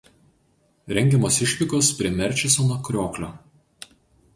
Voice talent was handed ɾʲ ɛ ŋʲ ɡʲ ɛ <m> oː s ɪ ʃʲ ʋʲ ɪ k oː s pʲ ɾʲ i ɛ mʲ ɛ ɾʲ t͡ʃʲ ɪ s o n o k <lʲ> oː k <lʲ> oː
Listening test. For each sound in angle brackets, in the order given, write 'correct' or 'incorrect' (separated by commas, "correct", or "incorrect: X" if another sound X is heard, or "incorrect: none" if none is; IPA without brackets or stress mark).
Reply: correct, incorrect: ɾʲ, correct